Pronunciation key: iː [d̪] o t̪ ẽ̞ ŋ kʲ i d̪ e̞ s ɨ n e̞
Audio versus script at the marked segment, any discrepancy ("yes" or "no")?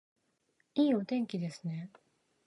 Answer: yes